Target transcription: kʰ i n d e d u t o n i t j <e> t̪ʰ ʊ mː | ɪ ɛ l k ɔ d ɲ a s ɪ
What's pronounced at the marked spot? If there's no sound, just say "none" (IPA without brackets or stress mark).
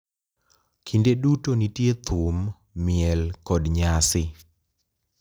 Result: e